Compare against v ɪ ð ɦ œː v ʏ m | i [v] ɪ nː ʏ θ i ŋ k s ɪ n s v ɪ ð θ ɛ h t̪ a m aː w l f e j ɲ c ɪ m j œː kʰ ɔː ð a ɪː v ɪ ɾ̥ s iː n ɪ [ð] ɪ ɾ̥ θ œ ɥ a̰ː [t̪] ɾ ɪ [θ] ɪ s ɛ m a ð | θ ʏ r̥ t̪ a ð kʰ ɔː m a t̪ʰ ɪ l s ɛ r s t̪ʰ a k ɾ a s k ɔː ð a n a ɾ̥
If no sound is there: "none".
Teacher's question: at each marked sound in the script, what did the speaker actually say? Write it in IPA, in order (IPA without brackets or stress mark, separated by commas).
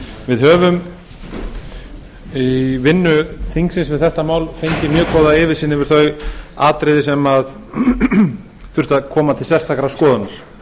v, v, t̪, ð